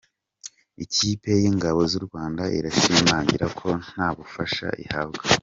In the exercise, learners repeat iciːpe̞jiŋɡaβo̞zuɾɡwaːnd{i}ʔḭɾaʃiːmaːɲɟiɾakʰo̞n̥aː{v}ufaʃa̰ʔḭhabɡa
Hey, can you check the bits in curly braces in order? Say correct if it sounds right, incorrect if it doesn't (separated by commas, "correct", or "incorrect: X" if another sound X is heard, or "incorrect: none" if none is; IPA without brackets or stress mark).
incorrect: a, incorrect: β